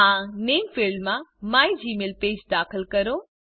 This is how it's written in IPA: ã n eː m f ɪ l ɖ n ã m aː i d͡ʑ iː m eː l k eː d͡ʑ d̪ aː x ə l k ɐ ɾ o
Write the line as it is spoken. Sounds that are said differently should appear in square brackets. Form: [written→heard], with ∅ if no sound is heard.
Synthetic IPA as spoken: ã n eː m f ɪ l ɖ [n→m] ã m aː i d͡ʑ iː m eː l [k→p] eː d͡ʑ d̪ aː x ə l k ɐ ɾ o